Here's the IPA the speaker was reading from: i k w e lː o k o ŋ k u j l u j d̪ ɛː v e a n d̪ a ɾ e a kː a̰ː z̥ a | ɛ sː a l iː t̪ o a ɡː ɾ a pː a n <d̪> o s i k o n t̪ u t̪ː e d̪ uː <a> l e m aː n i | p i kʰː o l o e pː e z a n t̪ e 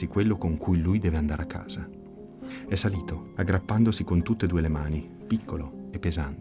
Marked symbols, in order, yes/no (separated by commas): yes, no